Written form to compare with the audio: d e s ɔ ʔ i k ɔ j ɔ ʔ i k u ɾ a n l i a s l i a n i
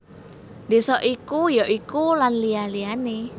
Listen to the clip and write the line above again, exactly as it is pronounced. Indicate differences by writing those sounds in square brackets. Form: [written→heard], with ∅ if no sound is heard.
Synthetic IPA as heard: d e s ɔ ʔ i k [ɔ→u] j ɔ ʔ i k u [ɾ→l] a n l i a [s→∅] l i a n [i→e]